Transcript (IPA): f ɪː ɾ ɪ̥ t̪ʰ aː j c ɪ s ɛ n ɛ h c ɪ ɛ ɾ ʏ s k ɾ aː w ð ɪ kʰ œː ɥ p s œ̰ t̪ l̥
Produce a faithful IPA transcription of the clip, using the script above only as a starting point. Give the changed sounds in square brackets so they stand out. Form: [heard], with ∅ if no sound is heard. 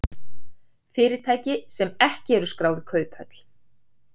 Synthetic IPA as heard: f ɪː ɾ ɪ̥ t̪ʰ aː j c ɪ s ɛ [m] ɛ h c ɪ ɛ ɾ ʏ s k ɾ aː w ð ɪ kʰ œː ɥ p [h] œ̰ t̪ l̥